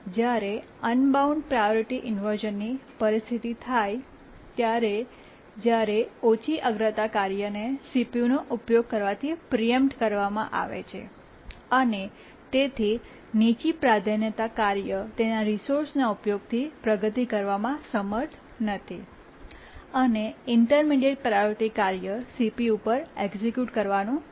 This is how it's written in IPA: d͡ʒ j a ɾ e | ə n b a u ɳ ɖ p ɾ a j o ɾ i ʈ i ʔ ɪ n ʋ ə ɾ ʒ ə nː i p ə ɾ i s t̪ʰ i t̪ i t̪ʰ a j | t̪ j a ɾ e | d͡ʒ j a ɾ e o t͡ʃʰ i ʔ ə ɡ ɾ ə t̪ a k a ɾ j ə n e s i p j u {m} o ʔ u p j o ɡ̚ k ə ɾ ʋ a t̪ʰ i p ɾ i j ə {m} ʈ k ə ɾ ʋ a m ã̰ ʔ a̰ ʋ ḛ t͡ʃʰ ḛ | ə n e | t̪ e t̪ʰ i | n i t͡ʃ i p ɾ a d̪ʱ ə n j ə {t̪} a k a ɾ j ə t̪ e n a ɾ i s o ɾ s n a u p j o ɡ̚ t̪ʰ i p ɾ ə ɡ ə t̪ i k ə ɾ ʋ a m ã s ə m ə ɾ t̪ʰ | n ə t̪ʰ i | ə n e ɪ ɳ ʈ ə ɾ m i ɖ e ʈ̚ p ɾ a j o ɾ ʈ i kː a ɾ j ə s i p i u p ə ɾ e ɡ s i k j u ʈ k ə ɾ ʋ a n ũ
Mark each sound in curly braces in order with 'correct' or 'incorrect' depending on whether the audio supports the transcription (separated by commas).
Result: incorrect, correct, correct